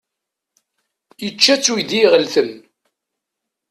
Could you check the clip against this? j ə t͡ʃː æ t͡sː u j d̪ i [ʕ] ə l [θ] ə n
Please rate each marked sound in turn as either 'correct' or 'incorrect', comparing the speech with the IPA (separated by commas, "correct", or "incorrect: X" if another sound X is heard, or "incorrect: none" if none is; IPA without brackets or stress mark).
incorrect: ʁ, correct